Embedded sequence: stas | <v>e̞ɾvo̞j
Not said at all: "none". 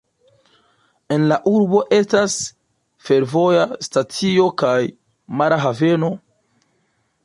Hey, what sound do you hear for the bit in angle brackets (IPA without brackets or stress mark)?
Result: f